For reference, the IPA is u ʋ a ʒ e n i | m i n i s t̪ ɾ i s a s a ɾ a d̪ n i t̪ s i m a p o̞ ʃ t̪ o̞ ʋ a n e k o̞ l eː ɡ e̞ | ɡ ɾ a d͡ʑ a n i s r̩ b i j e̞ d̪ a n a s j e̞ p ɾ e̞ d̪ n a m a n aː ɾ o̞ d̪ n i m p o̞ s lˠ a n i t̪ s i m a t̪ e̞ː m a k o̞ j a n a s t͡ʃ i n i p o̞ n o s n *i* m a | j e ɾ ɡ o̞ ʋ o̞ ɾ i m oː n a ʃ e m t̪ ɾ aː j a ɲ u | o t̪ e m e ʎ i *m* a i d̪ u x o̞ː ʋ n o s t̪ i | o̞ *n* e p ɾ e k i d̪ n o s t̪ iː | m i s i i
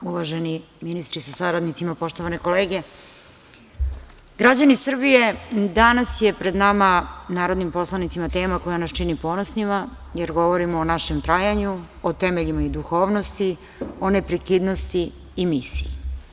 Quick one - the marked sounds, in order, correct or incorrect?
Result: correct, correct, correct

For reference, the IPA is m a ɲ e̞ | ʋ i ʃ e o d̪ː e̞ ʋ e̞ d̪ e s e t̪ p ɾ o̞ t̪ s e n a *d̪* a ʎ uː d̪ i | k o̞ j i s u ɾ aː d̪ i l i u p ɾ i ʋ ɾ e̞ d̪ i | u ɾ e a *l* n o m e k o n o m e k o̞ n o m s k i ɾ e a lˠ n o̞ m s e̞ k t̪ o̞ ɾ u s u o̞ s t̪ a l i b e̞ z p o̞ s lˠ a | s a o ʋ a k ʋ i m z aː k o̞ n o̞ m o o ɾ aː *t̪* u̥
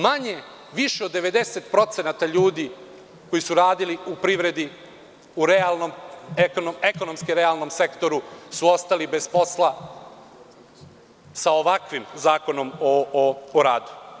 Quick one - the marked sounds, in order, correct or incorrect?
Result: incorrect: t̪, correct, incorrect: d̪

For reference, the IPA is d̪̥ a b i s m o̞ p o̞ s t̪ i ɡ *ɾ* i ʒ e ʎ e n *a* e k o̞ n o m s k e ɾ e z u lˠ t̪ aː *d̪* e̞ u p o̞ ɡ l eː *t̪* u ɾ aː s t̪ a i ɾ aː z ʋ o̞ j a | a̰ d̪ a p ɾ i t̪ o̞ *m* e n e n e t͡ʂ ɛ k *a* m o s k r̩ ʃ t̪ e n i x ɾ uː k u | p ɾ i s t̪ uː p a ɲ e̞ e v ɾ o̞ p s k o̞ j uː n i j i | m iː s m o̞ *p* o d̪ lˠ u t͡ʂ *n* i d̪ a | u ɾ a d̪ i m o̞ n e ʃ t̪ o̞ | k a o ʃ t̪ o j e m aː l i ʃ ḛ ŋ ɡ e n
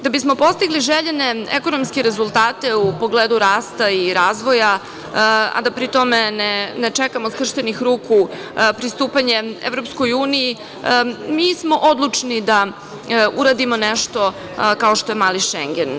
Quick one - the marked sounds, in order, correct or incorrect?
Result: incorrect: l, incorrect: e, incorrect: t̪, incorrect: d̪, correct, correct, incorrect: ʔ, correct

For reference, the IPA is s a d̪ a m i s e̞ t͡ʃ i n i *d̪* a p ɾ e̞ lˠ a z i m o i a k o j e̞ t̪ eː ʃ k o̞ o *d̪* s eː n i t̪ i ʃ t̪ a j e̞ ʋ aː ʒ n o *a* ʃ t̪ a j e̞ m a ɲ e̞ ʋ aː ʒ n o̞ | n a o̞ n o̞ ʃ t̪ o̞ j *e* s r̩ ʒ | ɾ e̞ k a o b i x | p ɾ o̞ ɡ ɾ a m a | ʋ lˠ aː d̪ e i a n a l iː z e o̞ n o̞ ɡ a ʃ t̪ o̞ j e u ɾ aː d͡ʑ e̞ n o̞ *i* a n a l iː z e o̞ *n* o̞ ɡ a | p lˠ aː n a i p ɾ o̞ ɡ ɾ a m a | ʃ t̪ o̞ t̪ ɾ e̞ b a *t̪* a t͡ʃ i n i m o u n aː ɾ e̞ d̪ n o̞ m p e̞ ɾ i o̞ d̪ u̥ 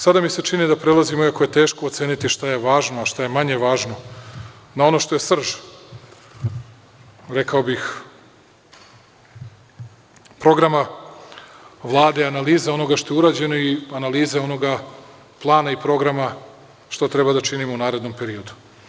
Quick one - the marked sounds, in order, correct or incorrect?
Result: correct, incorrect: t̪, correct, correct, correct, correct, incorrect: d̪

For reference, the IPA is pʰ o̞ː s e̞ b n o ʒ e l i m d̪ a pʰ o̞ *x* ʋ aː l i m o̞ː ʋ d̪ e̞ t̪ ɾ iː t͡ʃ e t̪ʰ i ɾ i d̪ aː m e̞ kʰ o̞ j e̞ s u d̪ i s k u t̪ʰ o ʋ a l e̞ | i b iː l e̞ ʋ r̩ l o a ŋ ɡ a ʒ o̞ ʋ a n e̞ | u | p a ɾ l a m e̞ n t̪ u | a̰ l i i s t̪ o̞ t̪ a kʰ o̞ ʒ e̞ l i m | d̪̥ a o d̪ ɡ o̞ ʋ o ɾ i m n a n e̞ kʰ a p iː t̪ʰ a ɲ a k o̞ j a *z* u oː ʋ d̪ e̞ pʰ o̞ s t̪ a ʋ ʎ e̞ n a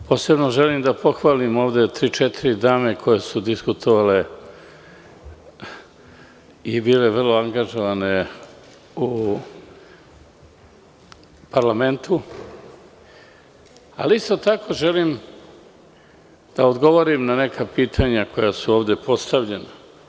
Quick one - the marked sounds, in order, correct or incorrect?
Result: correct, incorrect: s

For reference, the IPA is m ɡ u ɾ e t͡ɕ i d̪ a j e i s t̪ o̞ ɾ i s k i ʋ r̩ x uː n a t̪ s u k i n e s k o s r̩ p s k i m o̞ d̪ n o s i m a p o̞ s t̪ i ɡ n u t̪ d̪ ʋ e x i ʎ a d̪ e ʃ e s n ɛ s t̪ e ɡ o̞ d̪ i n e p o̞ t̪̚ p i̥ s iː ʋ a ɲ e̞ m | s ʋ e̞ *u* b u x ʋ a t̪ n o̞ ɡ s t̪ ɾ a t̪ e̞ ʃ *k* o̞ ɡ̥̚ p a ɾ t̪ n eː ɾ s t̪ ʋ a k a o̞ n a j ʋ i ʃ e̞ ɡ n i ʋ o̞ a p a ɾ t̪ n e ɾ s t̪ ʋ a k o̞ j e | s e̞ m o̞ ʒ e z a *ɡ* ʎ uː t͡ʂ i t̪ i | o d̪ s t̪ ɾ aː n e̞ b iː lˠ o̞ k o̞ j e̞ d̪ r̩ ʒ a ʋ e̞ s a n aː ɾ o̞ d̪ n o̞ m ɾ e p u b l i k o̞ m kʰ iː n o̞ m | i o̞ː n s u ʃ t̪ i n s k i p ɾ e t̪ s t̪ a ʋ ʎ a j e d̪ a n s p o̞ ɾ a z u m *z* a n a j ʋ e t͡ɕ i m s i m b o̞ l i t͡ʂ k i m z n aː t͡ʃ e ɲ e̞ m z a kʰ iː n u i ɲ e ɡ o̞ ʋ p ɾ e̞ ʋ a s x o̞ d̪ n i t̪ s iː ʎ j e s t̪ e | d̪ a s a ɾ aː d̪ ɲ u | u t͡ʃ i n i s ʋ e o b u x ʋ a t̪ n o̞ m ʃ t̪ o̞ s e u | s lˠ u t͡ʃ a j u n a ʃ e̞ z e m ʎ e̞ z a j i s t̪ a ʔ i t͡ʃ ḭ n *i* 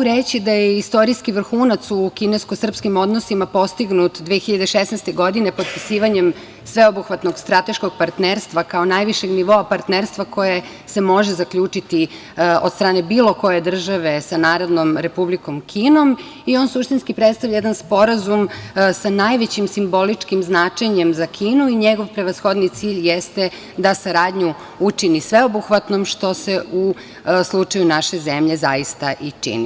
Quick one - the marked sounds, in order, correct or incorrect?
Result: incorrect: o, correct, incorrect: k, incorrect: s, correct

